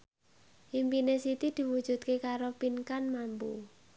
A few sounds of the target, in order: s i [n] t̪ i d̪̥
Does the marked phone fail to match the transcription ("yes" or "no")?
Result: yes